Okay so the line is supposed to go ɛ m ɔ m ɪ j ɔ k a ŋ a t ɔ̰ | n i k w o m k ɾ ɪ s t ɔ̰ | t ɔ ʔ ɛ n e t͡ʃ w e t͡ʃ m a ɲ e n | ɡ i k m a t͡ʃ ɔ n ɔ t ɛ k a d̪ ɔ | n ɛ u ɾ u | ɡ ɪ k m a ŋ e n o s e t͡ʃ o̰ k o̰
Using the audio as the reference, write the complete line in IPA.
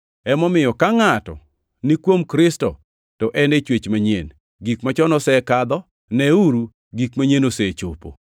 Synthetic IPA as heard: ɛ m ɔ m ɪ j ɔ k a ŋ a t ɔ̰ | n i k w o m k ɾ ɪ s t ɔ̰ | t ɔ ʔ ɛ n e t͡ʃ w e t͡ʃ m a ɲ e n | ɡ i k m a t͡ʃ ɔ n ɔ s ɛ k a d̪ ɔ | n ɛ u ɾ u | ɡ i k m a ɲ e n o s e t͡ʃ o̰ p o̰